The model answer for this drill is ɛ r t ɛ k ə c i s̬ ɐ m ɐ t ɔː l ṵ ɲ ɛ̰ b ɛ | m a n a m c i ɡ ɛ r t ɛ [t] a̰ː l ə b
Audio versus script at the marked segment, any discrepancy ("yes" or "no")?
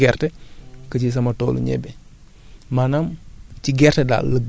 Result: yes